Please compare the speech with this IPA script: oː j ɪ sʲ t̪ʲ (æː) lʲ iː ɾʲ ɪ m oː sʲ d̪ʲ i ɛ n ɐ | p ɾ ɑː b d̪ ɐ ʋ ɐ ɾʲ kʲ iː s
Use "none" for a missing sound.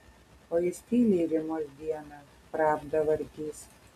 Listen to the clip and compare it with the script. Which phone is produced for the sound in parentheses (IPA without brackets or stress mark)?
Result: iː